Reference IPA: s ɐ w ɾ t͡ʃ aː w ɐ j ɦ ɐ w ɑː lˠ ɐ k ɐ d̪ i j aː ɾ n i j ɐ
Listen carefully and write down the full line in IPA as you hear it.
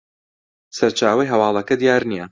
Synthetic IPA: s ɐ ɾ t͡ʃ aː w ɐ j ɦ ɐ w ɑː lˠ ɐ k ɐ d̪ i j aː ɾ n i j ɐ